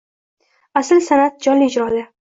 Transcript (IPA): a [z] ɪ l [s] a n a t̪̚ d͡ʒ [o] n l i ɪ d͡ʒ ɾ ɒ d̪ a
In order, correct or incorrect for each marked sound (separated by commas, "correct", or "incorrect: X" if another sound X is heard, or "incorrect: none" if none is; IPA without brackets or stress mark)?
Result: incorrect: s, correct, incorrect: ɒ